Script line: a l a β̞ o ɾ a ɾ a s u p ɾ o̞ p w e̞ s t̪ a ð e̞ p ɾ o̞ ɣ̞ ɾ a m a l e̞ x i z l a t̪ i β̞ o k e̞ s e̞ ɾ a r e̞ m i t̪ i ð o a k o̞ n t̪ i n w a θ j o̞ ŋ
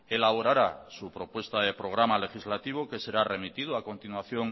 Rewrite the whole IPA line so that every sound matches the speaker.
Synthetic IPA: e l a β̞ o ɾ a ɾ a s u p ɾ o̞ p w e̞ s t̪ a ð e̞ p ɾ o̞ ɣ̞ ɾ a m a l e̞ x i z l a t̪ i β̞ o k e̞ s e̞ ɾ a r e̞ m i t̪ i ð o a k o̞ n t̪ i n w a θ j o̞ ŋ